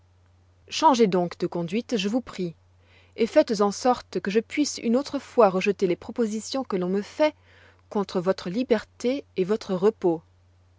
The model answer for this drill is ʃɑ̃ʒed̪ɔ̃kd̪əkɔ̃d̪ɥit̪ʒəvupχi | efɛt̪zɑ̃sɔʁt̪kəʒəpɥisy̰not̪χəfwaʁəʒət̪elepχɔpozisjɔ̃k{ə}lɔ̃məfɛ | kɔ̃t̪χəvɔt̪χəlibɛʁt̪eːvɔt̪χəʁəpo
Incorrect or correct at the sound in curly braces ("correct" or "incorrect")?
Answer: correct